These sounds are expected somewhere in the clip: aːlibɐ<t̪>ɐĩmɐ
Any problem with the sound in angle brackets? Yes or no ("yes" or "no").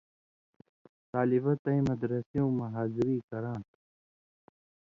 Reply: no